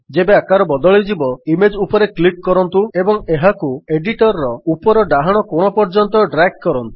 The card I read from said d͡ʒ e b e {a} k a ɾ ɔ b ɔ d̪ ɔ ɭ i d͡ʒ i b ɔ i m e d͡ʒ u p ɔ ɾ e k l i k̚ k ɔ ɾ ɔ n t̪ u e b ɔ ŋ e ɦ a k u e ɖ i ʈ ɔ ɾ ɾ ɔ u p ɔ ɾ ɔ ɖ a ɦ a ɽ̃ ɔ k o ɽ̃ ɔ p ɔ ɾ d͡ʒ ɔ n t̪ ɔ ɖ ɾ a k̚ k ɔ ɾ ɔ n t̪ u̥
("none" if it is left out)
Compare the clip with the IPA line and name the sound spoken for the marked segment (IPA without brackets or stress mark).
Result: a